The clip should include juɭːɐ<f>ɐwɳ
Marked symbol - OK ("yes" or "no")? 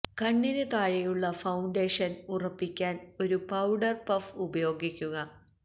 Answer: yes